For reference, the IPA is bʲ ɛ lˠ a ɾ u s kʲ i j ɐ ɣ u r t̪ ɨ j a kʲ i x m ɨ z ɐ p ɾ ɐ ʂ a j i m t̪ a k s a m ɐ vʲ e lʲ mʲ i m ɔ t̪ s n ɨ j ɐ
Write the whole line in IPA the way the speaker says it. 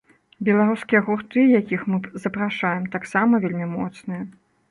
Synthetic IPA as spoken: bʲ ɛ lˠ a ɾ u s kʲ i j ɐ ɣ u r t̪ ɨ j a kʲ i x m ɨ z ɐ p ɾ a ʂ a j ɛ m t̪ a k s a m ɐ vʲ e lʲ mʲ i m ɔ t̪ s n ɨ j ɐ